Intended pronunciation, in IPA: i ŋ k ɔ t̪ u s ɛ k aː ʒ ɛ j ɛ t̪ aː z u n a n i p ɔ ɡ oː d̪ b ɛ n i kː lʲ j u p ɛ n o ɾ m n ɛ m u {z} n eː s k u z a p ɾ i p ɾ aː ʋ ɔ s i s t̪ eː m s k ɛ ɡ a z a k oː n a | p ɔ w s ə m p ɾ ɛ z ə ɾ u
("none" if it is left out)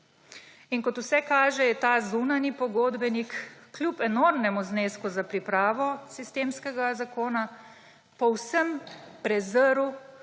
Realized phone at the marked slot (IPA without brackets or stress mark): z